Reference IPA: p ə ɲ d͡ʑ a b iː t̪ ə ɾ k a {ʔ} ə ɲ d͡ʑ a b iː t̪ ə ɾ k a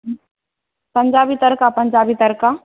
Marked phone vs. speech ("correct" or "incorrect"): incorrect